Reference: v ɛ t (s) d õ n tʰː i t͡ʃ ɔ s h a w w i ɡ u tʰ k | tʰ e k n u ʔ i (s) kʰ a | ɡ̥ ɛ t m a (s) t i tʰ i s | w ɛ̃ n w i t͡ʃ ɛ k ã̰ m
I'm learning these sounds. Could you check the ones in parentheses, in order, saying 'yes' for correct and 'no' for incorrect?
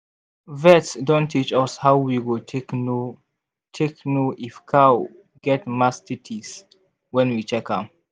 yes, no, yes

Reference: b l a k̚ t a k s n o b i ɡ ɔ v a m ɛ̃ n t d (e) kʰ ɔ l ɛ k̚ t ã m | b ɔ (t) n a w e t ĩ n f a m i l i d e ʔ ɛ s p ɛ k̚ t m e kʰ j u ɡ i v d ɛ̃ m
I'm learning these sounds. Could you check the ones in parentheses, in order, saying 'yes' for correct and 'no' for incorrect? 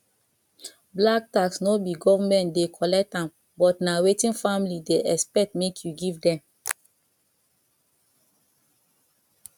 yes, yes

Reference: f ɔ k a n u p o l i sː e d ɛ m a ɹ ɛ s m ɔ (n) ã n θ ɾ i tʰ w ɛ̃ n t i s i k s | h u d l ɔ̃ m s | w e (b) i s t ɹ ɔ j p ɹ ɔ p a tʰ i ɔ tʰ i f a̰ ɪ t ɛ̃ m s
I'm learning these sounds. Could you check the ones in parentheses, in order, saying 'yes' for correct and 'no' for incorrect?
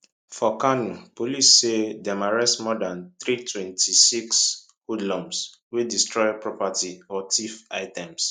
no, no

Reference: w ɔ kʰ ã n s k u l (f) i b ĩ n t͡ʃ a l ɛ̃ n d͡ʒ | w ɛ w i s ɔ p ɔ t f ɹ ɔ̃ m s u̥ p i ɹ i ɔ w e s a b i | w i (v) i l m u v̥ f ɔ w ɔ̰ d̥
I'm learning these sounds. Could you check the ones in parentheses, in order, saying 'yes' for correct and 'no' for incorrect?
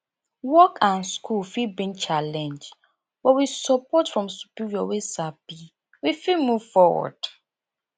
yes, no

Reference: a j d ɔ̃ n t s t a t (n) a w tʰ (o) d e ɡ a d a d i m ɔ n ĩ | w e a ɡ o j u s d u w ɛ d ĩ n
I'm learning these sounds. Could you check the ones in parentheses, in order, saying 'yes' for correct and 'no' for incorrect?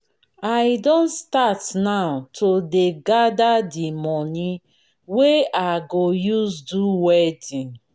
yes, yes

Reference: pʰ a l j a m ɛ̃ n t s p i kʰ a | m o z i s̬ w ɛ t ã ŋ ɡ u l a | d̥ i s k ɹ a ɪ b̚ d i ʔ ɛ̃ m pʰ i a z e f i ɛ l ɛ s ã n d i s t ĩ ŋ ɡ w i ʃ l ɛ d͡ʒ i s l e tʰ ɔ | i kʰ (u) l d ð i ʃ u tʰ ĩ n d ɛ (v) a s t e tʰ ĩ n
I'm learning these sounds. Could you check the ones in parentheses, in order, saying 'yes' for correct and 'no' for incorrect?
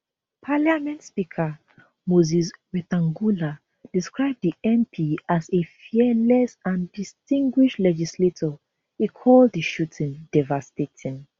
no, yes

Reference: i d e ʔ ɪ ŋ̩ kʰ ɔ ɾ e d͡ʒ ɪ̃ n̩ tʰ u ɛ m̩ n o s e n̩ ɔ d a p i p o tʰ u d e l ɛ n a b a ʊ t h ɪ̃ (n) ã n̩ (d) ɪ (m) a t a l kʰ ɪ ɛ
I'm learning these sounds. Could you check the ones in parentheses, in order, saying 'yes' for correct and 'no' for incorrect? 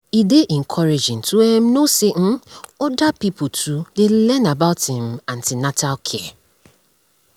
no, no, no

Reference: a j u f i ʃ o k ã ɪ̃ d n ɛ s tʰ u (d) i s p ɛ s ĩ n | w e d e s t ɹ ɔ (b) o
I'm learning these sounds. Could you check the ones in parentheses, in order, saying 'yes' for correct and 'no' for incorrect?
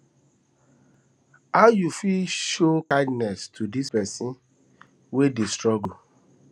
yes, no

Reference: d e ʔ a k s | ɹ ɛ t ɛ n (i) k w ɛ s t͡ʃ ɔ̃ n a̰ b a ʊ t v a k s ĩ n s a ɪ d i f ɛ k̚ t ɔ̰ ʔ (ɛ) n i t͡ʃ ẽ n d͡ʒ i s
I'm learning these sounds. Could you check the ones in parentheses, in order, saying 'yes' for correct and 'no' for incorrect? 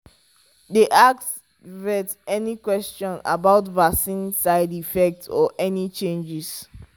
yes, yes

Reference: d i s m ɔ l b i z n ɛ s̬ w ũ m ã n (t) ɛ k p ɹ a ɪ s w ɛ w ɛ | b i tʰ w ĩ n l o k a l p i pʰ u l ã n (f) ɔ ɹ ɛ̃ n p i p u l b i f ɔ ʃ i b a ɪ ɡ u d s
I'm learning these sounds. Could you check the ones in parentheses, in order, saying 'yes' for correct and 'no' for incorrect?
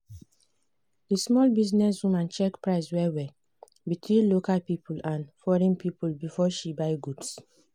no, yes

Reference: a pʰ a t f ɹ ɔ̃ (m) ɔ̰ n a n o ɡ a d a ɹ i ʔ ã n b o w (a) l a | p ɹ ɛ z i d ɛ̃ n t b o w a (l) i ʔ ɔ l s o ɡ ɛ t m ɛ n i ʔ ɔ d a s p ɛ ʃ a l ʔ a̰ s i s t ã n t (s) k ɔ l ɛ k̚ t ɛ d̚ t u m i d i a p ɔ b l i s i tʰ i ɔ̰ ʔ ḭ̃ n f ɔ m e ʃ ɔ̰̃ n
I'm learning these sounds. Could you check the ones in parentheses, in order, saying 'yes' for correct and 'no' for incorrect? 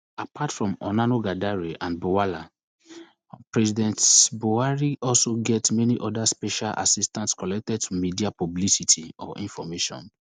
yes, yes, no, yes

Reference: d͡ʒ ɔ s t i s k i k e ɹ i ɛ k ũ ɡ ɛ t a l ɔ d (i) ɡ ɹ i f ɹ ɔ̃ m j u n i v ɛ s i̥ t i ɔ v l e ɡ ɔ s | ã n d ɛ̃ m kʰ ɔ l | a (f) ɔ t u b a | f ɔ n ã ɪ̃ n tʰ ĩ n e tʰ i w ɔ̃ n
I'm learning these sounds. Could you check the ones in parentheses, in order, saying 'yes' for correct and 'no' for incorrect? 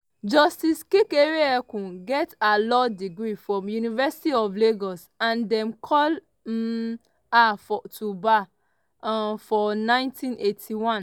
yes, yes

